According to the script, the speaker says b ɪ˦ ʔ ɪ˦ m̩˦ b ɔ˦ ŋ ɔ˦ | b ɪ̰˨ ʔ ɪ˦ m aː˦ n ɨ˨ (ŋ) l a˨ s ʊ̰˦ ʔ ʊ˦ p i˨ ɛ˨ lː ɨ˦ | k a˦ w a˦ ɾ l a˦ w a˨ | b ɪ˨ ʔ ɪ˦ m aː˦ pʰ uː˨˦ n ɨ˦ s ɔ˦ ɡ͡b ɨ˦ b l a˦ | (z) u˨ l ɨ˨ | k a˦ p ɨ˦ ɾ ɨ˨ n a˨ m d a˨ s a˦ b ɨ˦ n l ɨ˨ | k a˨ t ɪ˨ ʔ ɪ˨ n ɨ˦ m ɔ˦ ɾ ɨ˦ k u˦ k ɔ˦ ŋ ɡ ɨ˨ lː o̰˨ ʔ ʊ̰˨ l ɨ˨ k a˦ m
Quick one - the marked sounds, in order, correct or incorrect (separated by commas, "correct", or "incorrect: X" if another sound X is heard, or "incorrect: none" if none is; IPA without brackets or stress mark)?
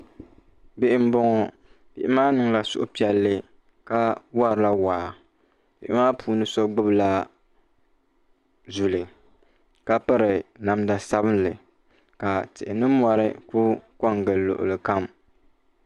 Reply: correct, correct